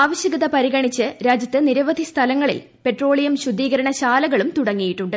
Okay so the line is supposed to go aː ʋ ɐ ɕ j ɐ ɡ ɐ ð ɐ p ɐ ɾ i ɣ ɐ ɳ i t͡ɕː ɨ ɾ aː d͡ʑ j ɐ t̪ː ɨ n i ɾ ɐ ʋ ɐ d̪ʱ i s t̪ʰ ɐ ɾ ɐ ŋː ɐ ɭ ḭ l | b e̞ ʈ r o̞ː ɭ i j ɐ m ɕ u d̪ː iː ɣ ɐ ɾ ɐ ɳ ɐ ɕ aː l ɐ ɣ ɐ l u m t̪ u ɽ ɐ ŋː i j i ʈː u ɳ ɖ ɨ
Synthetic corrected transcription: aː ʋ ɐ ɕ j ɐ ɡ ɐ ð ɐ p ɐ ɾ i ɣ ɐ ɳ i t͡ɕː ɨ ɾ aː d͡ʑ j ɐ t̪ː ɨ n i ɾ ɐ ʋ ɐ d̪ʱ i s t̪ʰ ɐ l ɐ ŋː ɐ ɭ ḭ l | p e̞ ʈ r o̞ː ɭ i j ɐ m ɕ u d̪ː iː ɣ ɐ ɾ ɐ ɳ ɐ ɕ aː l ɐ ɣ ɐ ɭ u m t̪ u ɽ ɐ ŋː i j i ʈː u ɳ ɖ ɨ